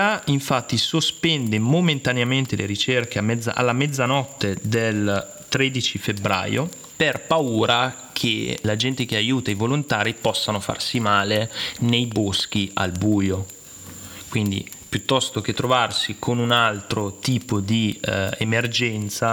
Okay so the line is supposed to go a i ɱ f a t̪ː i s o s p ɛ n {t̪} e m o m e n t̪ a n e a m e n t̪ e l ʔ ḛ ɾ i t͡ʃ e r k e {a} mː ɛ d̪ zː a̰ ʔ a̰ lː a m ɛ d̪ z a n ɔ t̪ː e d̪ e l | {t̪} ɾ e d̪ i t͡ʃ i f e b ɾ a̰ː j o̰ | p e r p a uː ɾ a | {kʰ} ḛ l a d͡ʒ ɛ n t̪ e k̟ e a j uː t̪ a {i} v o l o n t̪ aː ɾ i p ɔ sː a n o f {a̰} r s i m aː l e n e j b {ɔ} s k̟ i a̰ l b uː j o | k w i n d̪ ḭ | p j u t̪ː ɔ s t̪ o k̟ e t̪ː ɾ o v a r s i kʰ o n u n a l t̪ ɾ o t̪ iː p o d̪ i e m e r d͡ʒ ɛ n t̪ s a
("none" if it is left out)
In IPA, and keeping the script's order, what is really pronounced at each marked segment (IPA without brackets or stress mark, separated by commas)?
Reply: d̪, a, t̪, kʰ, i, a̰, o